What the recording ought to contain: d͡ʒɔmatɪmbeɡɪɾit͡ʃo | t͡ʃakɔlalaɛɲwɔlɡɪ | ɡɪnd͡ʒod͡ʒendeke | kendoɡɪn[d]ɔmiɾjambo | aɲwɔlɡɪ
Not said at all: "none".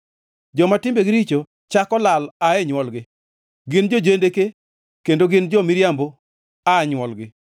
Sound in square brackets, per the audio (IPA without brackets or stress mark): d͡ʒ